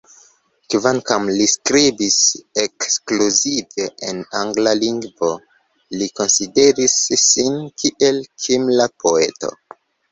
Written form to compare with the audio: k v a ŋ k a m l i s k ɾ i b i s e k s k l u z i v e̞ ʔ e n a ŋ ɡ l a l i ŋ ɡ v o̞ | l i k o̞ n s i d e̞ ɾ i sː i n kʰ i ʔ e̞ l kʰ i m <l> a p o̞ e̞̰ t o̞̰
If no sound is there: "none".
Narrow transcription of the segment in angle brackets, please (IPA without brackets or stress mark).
l